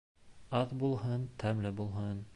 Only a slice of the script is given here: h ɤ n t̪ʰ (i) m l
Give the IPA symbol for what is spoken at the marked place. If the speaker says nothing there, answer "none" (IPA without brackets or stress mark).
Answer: æ